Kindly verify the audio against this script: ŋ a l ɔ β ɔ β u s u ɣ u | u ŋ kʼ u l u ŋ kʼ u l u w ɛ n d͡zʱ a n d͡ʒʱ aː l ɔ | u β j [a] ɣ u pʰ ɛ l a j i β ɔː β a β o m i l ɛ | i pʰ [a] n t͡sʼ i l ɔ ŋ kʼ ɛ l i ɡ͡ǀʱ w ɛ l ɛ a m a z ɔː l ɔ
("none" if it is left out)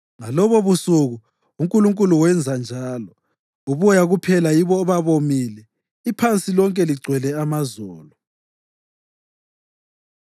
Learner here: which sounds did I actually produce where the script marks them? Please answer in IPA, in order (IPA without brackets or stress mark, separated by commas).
a, a